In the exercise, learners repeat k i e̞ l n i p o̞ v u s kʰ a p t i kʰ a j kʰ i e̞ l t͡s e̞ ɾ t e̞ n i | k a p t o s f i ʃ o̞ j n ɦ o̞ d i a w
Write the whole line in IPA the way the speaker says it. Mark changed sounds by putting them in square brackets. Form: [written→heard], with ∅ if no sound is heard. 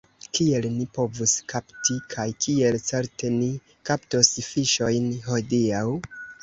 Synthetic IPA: k i e̞ l n i p o̞ v u s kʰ a p t i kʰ a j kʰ i e̞ l t͡s e̞ ɾ t e̞ n i | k a p t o s f i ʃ o̞ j n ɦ o̞ d i a w